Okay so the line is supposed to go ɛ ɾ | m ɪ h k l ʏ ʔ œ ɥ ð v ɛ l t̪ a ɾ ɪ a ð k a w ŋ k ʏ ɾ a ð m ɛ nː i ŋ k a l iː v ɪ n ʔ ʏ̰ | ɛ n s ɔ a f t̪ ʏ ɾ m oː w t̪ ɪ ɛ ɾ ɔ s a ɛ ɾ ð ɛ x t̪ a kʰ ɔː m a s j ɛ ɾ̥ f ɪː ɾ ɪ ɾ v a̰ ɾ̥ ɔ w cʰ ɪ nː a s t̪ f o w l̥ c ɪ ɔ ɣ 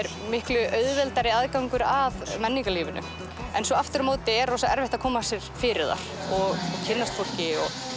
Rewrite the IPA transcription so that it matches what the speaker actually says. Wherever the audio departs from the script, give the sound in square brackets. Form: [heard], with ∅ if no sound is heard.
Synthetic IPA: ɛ ɾ | m ɪ h k l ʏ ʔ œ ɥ ð v ɛ l t̪ a ɾ ɪ a ð k a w ŋ k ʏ ɾ a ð m ɛ nː i ŋ k a l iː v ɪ n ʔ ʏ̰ | ɛ n s ɔ a f t̪ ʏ ɾ m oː w t̪ ɪ ɛ ɾ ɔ s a ɛ ɾ [v] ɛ [h] t̪ a kʰ ɔː m a s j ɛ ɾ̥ f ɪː ɾ ɪ ɾ [ð] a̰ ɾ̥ ɔ [ɣ] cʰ ɪ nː a s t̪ f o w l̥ c ɪ ɔ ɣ